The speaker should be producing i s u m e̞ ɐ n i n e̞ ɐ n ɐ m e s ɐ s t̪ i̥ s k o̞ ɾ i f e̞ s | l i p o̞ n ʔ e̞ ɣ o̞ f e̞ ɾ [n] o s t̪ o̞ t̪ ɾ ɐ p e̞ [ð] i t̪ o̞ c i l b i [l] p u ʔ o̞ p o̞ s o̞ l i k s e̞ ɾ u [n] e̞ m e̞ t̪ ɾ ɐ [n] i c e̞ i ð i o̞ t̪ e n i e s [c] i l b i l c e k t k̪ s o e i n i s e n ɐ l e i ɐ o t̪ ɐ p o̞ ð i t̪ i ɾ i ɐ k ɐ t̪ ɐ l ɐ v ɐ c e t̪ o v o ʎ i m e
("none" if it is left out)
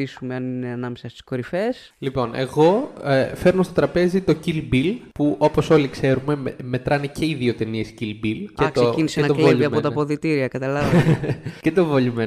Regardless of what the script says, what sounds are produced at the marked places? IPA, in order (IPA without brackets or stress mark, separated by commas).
n, z, l, m, n, c